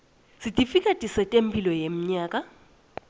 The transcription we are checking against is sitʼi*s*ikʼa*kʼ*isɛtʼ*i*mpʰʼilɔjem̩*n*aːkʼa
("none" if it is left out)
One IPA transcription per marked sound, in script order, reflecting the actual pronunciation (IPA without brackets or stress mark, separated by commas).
f, tʼ, e, ɲ